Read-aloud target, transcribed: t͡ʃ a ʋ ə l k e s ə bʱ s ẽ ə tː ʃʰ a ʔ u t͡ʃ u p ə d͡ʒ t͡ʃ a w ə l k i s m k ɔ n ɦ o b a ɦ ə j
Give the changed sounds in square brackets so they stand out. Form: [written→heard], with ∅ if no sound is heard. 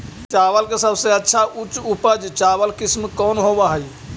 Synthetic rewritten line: t͡ʃ a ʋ ə l k e s ə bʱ s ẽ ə tː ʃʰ a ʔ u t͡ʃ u p ə d͡ʒ t͡ʃ a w ə l k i s m k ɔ n ɦ o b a ɦ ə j

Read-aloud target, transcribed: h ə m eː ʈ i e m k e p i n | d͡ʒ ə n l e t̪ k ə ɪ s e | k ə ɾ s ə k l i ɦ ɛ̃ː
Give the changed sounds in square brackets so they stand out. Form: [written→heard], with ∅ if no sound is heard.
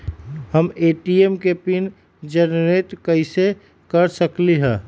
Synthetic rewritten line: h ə m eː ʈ i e m k e p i n | d͡ʒ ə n [l→ɾ] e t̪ k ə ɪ s e | k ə ɾ s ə k l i ɦ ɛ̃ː

